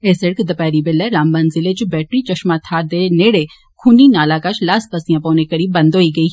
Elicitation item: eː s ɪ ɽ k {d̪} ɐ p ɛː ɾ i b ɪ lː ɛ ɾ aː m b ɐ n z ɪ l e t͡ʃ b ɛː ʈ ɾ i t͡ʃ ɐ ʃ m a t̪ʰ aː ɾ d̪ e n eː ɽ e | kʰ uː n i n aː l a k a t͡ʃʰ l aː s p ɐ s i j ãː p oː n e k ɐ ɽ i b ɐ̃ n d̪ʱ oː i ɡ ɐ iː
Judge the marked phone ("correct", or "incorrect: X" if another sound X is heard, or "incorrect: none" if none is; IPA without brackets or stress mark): correct